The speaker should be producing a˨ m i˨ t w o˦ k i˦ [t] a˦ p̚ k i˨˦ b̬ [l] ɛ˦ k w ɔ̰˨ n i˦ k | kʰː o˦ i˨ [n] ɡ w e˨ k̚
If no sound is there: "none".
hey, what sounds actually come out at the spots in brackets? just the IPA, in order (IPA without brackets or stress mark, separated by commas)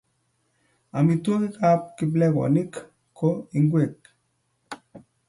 k, l, ŋ